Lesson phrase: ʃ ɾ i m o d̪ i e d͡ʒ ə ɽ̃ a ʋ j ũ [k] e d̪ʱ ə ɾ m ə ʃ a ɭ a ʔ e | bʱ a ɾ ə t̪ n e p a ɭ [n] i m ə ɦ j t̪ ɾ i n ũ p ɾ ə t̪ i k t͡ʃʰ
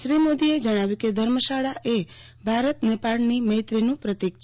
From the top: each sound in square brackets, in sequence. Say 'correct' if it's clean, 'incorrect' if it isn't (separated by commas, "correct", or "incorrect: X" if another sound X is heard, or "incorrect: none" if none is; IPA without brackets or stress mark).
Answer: correct, correct